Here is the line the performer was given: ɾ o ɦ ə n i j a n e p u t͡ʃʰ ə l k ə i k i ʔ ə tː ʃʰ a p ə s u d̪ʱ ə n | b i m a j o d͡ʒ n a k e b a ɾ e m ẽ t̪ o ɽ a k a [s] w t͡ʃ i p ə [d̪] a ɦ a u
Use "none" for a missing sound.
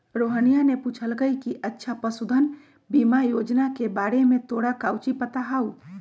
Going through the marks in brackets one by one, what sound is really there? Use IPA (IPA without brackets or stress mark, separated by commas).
none, t̪